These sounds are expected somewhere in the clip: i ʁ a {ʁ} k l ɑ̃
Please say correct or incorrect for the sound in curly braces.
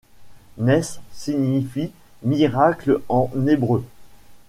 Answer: incorrect: none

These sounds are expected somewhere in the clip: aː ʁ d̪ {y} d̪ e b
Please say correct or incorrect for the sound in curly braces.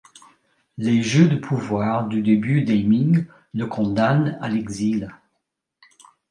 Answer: correct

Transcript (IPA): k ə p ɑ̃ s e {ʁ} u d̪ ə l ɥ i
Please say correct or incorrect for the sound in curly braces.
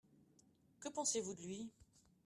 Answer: incorrect: v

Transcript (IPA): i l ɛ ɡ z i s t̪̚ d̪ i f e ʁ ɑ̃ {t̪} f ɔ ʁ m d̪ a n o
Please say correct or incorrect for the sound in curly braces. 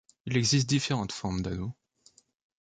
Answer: correct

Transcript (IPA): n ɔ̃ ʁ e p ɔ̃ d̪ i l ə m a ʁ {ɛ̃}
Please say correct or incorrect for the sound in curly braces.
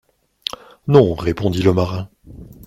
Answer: correct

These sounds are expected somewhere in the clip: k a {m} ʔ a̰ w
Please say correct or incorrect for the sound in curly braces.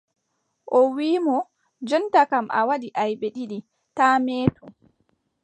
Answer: correct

